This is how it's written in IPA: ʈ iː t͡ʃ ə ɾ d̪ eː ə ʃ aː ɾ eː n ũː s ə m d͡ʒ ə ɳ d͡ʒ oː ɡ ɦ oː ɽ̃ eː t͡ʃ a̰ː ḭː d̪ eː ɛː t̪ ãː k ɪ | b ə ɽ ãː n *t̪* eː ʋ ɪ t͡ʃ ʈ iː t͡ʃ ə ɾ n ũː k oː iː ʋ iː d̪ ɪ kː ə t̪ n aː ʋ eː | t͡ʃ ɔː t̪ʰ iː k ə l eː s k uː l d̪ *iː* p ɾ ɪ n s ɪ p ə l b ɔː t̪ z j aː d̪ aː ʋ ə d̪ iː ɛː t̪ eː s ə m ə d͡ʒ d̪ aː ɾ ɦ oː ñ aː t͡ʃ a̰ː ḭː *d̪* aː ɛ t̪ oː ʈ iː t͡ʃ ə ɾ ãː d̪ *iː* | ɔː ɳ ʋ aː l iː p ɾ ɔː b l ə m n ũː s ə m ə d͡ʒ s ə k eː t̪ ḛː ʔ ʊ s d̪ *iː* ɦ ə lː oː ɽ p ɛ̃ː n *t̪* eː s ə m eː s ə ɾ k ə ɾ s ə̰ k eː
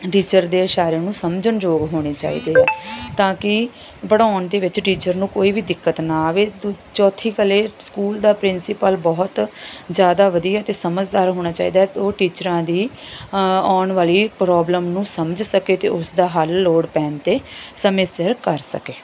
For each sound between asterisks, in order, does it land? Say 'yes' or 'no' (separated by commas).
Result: no, no, yes, yes, no, yes